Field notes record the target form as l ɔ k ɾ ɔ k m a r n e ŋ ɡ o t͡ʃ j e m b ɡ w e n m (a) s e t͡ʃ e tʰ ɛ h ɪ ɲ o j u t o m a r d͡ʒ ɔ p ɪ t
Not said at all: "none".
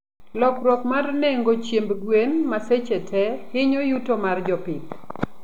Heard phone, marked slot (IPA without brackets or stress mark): a